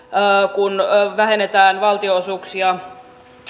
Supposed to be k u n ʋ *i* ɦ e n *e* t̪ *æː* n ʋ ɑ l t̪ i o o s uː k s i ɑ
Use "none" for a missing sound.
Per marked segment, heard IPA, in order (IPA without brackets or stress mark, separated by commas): æ, e, æː